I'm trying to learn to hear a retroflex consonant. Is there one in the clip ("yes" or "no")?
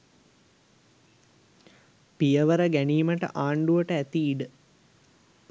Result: yes